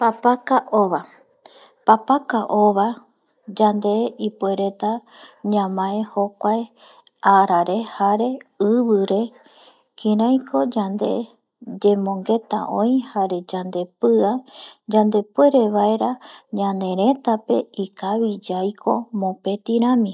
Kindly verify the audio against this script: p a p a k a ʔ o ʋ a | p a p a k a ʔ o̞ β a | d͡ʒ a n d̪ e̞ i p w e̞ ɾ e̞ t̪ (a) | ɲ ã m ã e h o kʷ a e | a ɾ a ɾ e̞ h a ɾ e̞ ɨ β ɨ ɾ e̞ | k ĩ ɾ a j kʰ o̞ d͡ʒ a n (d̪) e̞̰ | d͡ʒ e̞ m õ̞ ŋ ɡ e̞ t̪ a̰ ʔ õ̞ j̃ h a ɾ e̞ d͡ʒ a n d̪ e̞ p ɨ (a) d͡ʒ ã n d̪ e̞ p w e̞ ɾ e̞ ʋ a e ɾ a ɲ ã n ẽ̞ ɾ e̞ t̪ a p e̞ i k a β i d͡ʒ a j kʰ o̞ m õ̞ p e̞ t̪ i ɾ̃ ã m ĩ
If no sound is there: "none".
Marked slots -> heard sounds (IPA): a, d̪, a

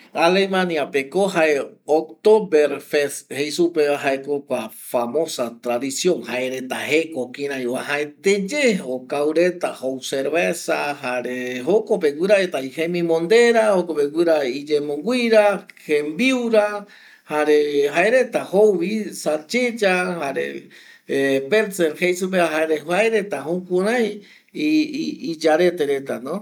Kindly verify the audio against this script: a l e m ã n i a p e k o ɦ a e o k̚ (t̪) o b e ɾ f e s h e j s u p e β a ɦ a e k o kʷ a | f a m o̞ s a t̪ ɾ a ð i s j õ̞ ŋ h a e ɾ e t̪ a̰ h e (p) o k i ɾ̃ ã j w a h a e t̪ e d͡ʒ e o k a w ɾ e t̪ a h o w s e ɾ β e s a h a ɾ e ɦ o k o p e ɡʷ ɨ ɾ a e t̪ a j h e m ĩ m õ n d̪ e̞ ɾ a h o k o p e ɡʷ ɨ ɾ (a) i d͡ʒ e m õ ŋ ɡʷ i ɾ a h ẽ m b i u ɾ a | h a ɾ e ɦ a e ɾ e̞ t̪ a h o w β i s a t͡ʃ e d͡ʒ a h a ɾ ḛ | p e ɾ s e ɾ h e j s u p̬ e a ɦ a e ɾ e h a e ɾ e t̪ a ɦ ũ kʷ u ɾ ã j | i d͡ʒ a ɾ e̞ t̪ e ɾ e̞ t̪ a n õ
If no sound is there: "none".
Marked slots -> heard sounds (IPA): t̪, k, a

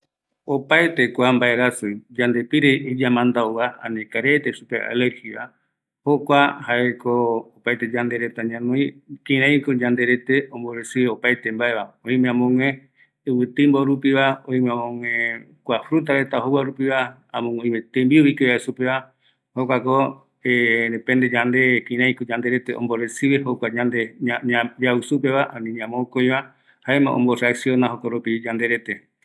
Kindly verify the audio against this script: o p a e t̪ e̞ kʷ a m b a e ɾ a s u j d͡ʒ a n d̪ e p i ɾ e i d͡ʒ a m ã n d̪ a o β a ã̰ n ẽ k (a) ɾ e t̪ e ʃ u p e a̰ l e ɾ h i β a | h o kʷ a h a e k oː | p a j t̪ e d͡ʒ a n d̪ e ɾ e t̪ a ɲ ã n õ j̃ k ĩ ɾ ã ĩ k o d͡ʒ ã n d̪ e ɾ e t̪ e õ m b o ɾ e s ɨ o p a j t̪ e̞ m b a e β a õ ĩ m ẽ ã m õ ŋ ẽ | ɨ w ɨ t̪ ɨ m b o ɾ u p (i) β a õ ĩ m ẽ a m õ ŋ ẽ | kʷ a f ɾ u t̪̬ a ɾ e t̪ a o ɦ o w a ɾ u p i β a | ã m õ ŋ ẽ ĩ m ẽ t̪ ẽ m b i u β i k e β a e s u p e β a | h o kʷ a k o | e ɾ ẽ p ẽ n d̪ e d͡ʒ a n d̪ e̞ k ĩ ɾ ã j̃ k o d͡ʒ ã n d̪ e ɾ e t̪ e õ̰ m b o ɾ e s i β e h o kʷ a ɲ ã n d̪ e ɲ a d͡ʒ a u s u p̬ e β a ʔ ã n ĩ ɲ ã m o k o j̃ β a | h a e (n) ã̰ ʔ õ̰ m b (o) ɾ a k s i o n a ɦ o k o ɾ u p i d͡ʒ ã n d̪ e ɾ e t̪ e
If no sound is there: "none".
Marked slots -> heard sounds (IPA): a, i, m, o

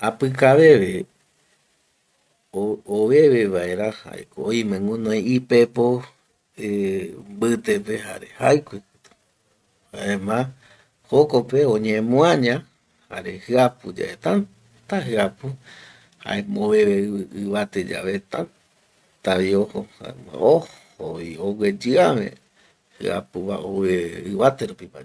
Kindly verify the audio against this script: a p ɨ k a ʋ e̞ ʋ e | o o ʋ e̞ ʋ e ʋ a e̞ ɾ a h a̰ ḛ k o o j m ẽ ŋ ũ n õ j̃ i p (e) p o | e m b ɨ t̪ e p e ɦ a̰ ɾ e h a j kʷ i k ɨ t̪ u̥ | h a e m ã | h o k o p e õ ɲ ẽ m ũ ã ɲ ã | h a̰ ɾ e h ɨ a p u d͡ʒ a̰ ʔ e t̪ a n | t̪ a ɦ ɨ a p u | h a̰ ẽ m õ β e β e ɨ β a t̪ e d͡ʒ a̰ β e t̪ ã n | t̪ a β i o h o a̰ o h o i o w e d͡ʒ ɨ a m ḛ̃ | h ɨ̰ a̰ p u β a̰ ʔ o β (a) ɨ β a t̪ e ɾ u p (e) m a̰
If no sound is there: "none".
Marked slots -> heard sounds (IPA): e, e, i

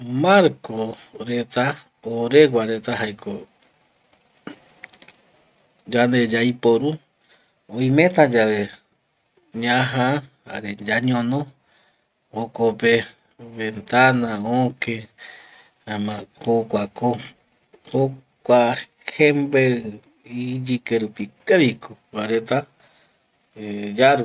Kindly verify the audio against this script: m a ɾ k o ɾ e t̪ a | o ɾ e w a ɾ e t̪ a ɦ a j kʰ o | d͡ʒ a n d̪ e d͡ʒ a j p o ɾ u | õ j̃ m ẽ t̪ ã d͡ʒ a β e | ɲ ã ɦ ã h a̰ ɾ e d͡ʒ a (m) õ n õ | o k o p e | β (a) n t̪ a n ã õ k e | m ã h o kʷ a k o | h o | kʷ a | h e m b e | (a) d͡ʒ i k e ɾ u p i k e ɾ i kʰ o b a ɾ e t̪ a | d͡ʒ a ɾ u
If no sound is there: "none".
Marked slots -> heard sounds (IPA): ɲ, e, i

